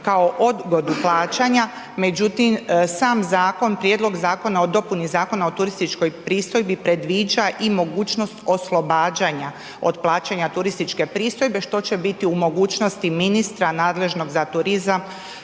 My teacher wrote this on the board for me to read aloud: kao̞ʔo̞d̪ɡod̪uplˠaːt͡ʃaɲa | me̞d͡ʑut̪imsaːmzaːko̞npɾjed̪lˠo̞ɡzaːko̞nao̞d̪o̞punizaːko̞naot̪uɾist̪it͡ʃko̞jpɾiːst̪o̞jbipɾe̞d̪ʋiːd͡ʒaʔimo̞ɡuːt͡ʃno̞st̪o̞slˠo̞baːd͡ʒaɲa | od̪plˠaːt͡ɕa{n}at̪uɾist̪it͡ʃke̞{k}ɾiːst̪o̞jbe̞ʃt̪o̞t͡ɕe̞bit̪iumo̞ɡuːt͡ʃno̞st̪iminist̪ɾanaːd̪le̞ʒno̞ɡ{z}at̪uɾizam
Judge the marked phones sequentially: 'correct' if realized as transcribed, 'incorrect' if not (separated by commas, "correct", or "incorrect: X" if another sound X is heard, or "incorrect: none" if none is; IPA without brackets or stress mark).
incorrect: ɲ, incorrect: p, correct